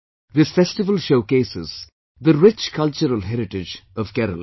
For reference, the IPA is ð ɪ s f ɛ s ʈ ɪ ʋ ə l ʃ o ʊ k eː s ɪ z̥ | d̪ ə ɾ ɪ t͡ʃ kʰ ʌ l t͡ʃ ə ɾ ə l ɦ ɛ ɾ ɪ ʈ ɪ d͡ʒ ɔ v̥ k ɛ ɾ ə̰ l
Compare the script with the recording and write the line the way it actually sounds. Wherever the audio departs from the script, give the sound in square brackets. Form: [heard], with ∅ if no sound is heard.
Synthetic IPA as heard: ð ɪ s f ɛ s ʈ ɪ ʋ ə l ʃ o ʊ k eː s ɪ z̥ | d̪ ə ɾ ɪ t͡ʃ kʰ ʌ l t͡ʃ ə ɾ ə l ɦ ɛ ɾ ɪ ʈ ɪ d͡ʒ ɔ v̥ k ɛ ɾ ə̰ l

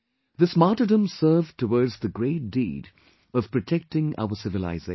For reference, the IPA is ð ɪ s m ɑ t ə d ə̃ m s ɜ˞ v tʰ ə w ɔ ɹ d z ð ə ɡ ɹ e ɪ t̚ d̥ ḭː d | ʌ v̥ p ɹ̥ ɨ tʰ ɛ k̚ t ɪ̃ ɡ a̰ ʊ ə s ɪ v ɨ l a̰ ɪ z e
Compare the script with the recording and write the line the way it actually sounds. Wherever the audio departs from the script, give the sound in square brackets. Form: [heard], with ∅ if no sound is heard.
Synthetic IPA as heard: ð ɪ s m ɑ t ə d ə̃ m s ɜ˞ v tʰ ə w ɔ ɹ d z ð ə ɡ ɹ e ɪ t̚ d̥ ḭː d | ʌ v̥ p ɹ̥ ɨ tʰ ɛ k̚ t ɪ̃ [ŋ] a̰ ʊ ə s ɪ v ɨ l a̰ ɪ z e

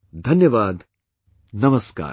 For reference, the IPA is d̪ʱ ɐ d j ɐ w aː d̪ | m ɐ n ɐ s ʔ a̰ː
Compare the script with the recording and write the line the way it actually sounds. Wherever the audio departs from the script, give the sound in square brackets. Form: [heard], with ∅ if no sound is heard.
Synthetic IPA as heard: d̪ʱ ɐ [n] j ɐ [ʋ] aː d̪ | [n] ɐ [m] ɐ s [k] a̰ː

